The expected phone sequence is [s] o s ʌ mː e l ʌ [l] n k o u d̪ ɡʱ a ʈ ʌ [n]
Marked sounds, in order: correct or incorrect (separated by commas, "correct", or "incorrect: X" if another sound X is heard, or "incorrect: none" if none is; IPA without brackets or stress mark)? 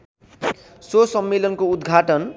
correct, incorrect: none, correct